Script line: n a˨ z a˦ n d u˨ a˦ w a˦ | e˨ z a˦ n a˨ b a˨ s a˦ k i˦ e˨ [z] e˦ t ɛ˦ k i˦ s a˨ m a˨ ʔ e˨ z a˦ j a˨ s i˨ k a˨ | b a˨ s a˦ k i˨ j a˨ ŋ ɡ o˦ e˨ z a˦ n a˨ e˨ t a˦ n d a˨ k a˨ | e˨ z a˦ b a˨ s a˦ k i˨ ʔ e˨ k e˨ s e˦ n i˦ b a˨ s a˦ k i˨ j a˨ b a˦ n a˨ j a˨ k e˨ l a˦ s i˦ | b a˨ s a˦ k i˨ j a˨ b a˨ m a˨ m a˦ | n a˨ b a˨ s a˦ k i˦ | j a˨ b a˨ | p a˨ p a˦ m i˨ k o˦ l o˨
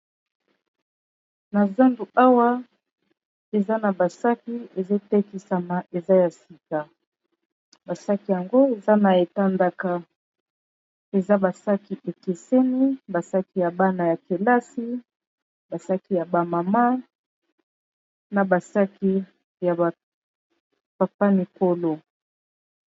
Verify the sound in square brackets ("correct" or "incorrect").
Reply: correct